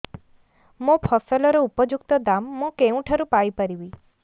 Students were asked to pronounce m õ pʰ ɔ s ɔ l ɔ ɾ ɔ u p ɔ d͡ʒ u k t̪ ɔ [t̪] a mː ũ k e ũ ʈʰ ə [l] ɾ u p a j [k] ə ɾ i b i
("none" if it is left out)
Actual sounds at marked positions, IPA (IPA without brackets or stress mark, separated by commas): d̪, none, p